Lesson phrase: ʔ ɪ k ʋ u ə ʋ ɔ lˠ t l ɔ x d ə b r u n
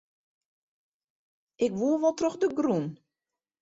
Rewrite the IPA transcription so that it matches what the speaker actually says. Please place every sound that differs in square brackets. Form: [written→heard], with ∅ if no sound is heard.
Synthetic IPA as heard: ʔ ɪ k ʋ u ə ʋ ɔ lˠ t [l→r] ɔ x d ə [b→ɡ] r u n